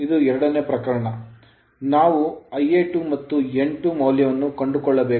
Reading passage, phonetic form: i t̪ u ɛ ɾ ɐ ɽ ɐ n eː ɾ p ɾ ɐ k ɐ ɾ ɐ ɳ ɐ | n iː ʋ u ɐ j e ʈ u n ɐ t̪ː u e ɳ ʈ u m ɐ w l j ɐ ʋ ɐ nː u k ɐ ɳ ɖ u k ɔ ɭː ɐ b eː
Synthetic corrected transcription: i d̪ u ɛ ɾ ɐ ɽ ɐ n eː p ɾ ɐ k ɐ ɾ ɐ ɳ ɐ | n aː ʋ u ɐ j e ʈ u m ɐ t̪ː u e ɳ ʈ u m ɐ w l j ɐ ʋ ɐ nː u k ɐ ɳ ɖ u k ɔ ɭː ɐ b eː